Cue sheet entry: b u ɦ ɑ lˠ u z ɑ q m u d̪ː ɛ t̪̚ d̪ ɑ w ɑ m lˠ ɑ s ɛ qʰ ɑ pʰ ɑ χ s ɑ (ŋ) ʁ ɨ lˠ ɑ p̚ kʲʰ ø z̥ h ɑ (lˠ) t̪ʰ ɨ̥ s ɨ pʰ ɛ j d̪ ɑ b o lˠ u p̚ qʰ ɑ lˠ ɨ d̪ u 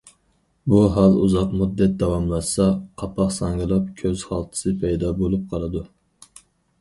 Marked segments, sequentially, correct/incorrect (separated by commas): correct, correct